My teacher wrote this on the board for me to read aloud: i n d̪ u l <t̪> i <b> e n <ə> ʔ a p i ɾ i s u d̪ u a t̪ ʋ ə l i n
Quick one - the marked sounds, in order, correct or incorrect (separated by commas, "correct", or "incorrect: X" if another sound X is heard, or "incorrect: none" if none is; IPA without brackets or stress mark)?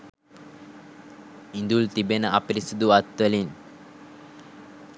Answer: correct, correct, correct